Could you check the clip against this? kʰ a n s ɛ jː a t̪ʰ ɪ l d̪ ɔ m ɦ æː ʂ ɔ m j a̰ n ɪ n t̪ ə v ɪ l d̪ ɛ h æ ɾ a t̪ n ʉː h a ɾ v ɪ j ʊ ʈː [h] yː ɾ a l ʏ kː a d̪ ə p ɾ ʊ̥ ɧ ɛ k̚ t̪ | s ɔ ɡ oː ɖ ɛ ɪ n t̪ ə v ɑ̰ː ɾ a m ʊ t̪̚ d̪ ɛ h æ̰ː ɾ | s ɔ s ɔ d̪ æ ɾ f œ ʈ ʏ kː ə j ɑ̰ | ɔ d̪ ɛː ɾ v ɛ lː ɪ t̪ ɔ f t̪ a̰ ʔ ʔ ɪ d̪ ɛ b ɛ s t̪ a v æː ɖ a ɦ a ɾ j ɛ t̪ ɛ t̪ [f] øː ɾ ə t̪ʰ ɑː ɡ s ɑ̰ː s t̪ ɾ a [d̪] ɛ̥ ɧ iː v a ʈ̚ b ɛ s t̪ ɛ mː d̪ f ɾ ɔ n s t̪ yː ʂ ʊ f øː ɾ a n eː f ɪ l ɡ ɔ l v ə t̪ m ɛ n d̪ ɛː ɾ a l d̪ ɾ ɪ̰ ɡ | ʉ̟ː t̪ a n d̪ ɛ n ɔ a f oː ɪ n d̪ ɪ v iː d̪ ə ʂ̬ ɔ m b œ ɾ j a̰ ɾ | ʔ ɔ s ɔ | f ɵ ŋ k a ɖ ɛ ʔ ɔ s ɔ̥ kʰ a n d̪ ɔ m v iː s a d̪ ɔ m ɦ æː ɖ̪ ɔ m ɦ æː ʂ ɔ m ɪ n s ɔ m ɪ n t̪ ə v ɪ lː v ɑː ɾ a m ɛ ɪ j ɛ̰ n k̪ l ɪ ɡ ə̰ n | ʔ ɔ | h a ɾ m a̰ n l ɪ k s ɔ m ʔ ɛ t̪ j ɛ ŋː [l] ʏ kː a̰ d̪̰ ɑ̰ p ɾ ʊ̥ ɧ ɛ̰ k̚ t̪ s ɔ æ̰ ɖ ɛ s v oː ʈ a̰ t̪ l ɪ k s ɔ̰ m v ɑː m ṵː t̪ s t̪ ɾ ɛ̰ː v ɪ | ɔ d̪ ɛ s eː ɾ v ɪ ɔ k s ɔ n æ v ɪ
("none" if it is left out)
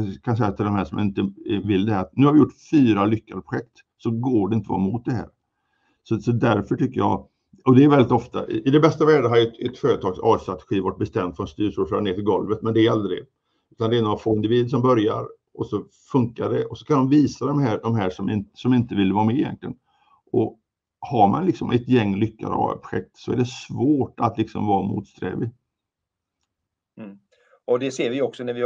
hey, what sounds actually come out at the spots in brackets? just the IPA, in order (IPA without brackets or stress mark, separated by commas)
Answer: f, f, t̪, l